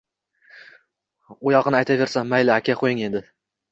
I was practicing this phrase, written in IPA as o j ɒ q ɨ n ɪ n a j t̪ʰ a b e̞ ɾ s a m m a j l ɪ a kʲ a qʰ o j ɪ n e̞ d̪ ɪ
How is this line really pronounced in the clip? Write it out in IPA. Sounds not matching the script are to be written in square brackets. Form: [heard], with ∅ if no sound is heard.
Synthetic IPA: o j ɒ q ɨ n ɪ [∅] a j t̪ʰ a [v] e̞ ɾ s a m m a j l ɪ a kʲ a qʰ o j ɪ [ŋ] e̞ d̪ ɪ